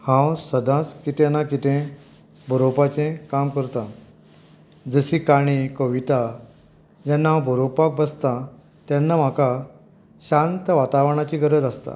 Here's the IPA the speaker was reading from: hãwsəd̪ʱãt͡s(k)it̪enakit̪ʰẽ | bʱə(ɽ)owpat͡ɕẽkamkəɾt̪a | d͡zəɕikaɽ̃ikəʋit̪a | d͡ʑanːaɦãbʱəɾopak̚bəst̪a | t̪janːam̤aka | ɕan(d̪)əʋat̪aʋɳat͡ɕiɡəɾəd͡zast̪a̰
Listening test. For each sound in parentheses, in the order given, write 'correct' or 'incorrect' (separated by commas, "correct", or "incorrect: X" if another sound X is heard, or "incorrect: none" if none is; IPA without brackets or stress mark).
correct, incorrect: ɾ, incorrect: t̪